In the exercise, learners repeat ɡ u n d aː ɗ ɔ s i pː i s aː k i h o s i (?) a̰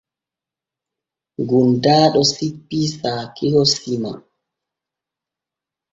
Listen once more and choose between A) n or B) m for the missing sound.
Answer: B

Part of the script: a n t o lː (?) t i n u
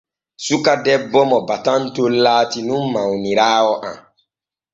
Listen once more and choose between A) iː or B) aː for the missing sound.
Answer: B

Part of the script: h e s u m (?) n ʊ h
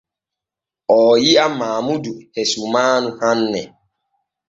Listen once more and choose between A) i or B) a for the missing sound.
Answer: B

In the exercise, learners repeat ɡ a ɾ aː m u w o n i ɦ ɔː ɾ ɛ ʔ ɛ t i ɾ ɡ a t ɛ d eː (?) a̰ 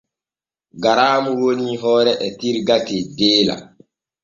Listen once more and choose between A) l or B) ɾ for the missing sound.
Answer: A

